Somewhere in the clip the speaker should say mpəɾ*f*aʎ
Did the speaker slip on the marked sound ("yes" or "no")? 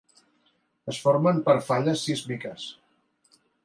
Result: no